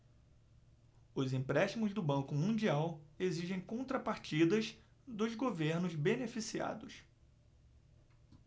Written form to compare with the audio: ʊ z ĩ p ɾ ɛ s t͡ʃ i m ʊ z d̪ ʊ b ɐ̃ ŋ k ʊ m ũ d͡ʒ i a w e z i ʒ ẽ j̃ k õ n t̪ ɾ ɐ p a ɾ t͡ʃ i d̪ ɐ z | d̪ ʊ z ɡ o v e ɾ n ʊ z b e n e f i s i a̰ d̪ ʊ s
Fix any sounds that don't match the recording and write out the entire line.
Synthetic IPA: ʊ z ĩ p ɾ ɛ ʃ t͡ʃ i m ʊ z d̪ ʊ b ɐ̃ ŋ k ʊ m ũ d͡ʒ i a w e z i ʒ ẽ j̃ k õ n t̪ ɾ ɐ p a ɾ t͡ʃ i d̪ ɐ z | d̪ ʊ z ɡ o v e ɾ n ʊ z b e n e f i s i a̰ d̪ ʊ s